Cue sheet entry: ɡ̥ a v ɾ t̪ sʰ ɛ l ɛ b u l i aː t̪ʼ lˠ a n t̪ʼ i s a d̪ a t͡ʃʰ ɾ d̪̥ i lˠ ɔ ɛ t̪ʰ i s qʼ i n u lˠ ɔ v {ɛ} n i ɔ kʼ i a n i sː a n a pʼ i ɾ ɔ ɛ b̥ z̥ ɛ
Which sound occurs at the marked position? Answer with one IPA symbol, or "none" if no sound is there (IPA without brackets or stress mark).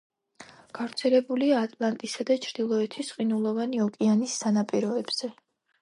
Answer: a